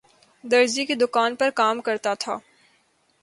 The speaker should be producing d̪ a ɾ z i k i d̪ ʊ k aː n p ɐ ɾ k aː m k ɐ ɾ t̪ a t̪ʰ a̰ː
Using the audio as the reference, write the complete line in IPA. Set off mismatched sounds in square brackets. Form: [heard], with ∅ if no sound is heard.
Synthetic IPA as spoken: d̪ [ɐ] ɾ z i k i d̪ ʊ k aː n p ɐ ɾ k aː m k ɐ ɾ t̪ a t̪ʰ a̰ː